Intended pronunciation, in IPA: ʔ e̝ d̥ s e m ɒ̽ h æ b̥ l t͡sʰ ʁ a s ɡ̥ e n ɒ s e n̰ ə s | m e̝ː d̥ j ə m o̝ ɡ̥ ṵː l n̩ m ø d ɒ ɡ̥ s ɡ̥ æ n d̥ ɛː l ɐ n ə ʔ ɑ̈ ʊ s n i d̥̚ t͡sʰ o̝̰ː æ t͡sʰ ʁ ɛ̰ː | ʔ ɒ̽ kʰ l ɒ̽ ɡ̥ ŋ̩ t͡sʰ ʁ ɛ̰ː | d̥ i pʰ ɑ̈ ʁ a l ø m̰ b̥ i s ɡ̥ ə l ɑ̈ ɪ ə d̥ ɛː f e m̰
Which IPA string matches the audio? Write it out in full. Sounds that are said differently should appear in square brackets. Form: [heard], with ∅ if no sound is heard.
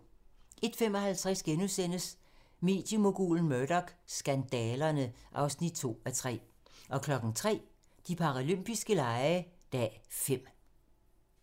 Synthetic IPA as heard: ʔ e̝ d̥ [f] e m ɒ̽ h æ [∅] l t͡sʰ ʁ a s ɡ̥ e n [u] s e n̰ ə s | m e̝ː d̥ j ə m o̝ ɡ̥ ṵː l n̩ m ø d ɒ ɡ̥ s ɡ̥ æ n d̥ ɛː l ɐ n ə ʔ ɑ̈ ʊ s n i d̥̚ t͡sʰ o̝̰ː æ t͡sʰ ʁ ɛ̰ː | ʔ ɒ̽ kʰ l ɒ̽ ɡ̥ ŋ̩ t͡sʰ ʁ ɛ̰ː | d̥ i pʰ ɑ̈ ʁ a l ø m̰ b̥ i s ɡ̥ ə l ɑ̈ ɪ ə d̥ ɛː f e m̰